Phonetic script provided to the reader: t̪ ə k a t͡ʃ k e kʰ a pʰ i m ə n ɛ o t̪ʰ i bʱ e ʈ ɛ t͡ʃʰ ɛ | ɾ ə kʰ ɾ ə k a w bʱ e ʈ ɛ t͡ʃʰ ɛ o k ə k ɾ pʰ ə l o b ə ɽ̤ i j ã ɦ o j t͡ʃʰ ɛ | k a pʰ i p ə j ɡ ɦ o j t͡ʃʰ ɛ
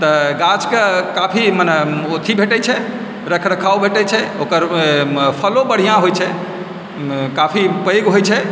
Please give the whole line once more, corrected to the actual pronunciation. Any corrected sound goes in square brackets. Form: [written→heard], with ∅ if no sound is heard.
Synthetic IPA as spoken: t̪ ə [k→ɡ] a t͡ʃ k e [kʰ→k] a pʰ i m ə n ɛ o t̪ʰ i bʱ e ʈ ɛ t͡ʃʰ ɛ | ɾ ə kʰ ɾ ə [k→kʰ] a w bʱ e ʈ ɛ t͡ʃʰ ɛ o k ə [k→∅] ɾ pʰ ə l o b ə ɽ̤ i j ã ɦ o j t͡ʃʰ ɛ | k a pʰ i p ə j ɡ ɦ o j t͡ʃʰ ɛ